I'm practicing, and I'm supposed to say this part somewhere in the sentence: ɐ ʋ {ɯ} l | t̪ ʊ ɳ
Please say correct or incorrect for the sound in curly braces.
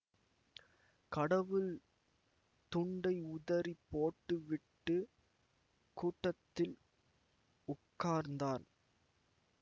correct